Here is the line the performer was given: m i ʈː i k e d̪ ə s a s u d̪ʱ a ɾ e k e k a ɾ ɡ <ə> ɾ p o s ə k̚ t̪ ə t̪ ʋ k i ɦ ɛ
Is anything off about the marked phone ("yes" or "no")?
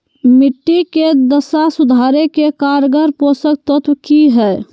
no